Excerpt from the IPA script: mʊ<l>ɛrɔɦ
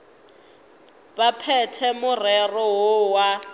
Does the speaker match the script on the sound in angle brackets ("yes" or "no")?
no